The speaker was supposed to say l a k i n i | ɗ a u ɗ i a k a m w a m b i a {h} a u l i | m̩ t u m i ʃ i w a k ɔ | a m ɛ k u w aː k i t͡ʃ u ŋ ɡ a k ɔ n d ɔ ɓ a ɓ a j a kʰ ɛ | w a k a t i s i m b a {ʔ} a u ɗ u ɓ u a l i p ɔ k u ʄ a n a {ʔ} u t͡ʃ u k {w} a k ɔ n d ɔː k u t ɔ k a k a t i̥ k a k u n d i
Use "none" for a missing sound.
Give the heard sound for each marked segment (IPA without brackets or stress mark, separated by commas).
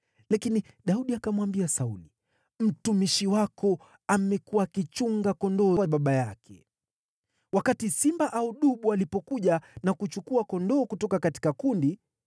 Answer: s, ʔ, k, u